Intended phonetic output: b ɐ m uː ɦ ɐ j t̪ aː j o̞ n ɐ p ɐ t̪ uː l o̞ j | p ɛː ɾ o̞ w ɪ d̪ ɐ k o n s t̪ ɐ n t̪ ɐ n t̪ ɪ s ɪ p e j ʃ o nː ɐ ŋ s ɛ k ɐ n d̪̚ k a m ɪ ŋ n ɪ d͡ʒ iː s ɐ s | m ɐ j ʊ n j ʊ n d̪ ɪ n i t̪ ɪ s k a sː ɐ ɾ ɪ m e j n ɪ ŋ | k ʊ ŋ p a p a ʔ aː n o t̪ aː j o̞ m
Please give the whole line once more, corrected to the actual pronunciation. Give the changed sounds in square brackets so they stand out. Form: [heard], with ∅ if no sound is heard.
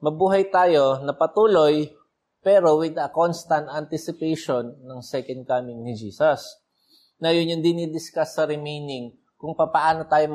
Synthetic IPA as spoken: [m] ɐ [b] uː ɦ ɐ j t̪ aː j o̞ n ɐ p ɐ t̪ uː l o̞ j | p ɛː ɾ o̞ w ɪ d̪ ɐ k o n s t̪ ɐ n t̪ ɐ n t̪ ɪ s ɪ p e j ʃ o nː ɐ ŋ s ɛ k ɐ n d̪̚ k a m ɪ ŋ n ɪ d͡ʒ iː s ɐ s | [n] ɐ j ʊ n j ʊ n d̪ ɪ n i [d̪] ɪ s k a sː ɐ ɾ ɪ m e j n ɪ ŋ | k ʊ ŋ p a p [ɐ] ʔ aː n o t̪ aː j o̞ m